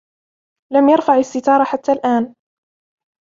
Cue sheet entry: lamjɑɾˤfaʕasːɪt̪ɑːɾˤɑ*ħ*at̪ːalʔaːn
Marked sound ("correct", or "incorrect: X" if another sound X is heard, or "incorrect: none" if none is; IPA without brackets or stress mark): correct